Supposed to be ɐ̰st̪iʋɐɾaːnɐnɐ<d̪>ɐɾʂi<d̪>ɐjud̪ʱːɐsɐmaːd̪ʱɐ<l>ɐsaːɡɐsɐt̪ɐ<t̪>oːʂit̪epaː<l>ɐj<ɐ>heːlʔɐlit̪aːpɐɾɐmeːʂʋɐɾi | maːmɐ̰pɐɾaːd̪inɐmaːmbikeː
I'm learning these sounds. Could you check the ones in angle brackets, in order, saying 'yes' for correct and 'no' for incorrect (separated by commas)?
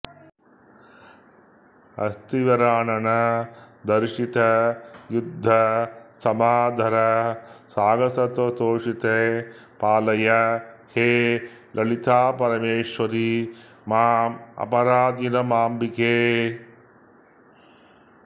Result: yes, no, no, yes, yes, yes